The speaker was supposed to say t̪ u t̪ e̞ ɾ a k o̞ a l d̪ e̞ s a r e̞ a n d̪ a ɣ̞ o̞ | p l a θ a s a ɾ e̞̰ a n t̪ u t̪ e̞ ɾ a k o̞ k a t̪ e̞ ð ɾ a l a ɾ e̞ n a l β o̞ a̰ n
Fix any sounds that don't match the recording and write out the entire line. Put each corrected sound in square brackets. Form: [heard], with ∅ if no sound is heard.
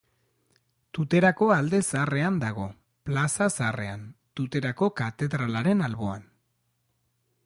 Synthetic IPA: t̪ u t̪ e̞ ɾ a k o̞ a l d̪ e̞ s a r e̞ a n d̪ a ɣ̞ o̞ | p l a [s] a s a [r] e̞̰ a n t̪ u t̪ e̞ ɾ a k o̞ k a t̪ e̞ ð ɾ a l a ɾ e̞ n a l β o̞ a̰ n